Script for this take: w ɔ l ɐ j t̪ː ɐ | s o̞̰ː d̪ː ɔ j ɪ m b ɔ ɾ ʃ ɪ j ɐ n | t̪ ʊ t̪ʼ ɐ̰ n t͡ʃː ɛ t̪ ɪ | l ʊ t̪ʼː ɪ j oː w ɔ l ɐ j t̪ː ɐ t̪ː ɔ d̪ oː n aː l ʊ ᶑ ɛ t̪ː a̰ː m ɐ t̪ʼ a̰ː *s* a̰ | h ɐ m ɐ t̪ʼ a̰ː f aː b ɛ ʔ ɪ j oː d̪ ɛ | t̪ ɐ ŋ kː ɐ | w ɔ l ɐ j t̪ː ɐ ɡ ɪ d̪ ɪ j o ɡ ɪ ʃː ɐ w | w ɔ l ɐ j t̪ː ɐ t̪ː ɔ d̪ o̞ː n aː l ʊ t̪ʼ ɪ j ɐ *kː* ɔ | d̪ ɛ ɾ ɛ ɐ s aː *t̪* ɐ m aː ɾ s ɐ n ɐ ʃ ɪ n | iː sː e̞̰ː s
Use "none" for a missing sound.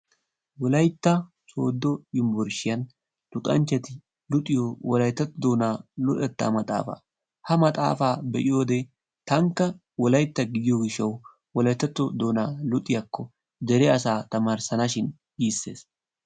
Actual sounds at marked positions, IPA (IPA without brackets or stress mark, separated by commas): f, kː, t̪